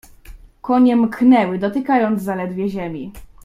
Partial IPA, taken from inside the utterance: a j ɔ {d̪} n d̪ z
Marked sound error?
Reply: yes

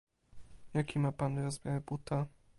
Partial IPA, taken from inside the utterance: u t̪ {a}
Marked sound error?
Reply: no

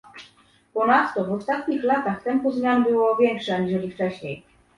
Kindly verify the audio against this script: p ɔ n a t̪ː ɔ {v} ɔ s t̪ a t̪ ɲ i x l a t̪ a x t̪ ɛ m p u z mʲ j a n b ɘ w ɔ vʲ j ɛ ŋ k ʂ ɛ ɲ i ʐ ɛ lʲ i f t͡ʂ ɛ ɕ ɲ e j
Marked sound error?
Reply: no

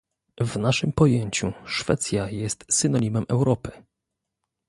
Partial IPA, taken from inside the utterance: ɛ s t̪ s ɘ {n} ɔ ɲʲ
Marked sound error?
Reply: no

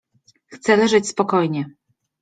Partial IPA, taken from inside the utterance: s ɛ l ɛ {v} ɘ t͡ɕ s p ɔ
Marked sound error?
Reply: yes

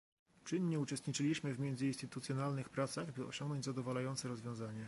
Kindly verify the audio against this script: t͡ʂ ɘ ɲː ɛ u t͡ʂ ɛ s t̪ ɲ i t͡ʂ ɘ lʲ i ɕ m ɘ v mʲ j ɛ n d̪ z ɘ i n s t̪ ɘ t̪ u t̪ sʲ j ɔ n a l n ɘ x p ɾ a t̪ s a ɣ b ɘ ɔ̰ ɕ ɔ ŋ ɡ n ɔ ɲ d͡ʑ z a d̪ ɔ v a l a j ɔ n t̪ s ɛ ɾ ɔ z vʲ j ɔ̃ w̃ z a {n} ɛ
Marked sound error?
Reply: yes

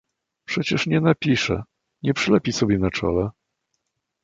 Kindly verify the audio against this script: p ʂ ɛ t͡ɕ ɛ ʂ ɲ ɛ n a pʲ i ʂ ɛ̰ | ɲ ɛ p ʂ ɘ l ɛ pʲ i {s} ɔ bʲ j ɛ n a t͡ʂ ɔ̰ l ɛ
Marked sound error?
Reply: no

